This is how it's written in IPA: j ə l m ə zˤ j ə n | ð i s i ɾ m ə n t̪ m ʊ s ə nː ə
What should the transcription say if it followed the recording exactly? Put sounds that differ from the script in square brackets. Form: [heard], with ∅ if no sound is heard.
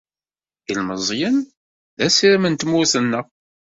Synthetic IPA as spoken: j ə l m ə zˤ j ə n | ð [æ] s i ɾ m ə n t̪ m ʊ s ə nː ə